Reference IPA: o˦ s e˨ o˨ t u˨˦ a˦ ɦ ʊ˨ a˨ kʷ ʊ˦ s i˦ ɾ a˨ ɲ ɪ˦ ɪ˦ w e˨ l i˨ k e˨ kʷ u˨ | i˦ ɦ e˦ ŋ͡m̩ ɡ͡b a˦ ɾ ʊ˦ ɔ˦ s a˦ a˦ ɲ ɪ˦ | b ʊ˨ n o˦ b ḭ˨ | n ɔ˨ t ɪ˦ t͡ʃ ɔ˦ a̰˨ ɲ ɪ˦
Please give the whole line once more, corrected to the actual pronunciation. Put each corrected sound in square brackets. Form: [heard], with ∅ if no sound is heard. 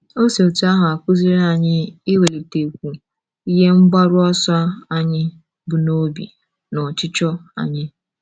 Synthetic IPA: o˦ s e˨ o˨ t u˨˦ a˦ ɦ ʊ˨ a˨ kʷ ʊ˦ [z] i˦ ɾ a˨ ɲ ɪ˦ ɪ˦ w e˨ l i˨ [t] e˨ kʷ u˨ | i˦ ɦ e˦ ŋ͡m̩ ɡ͡b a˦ ɾ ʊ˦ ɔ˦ s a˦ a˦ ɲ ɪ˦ | b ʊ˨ n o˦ b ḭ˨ | n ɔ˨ [t͡ʃ] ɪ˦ t͡ʃ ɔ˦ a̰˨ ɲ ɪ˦